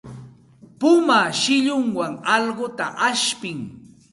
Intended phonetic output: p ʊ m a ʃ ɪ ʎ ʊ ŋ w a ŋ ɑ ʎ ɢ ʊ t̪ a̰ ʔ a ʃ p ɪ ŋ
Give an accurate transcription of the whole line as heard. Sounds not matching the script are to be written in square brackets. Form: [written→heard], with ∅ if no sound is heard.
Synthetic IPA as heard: p ʊ m a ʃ ɪ ʎ ʊ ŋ w a ŋ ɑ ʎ ɢ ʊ t̪ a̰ ʔ a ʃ p ɪ ŋ